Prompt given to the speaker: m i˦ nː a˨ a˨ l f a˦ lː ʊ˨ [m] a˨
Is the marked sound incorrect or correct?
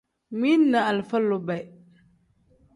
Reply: incorrect: b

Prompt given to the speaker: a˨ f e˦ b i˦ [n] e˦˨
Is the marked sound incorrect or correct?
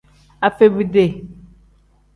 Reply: incorrect: d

